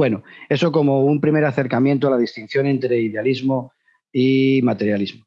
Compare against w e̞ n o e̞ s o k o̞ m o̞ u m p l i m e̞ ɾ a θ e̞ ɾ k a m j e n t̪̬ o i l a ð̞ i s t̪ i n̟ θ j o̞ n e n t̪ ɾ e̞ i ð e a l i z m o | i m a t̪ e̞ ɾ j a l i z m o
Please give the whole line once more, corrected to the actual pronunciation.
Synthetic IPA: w e̞ n o e̞ s o k o̞ m o̞ u m p ɾ i m e̞ ɾ a θ e̞ ɾ k a m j e n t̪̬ o a l a ð̞ i s t̪ i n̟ θ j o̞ n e n t̪ ɾ e̞ i ð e a l i z m o | i m a t̪ e̞ ɾ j a l i z m o